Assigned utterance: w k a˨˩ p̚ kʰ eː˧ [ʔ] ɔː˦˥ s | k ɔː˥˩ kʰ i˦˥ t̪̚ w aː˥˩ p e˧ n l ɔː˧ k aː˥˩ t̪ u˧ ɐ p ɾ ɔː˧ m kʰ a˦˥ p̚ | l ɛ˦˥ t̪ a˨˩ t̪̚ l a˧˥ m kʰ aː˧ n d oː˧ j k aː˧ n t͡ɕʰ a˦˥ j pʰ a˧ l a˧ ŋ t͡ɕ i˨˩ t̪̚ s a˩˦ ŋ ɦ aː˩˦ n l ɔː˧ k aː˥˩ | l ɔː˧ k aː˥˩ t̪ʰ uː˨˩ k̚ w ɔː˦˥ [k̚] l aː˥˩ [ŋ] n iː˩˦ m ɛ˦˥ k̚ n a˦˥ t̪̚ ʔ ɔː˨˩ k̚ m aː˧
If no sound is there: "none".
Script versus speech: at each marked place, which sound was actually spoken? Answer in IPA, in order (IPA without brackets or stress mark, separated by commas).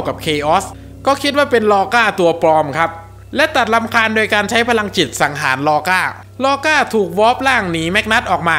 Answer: ʔ, p̚, ŋ